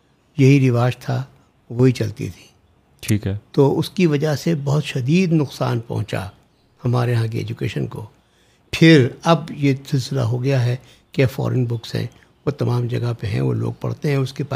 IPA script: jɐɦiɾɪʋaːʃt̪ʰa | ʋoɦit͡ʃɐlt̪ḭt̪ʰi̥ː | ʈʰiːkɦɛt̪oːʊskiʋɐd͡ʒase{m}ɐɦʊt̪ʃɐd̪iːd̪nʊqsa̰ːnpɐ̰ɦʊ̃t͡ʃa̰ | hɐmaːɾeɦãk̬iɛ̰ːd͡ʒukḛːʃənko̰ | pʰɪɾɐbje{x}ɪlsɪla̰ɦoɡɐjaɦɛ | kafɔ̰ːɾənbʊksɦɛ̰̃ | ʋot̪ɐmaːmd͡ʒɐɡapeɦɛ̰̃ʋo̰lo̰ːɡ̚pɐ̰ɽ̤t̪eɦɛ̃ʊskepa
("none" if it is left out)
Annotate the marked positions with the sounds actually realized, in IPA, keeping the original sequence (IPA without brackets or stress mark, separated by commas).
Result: b, s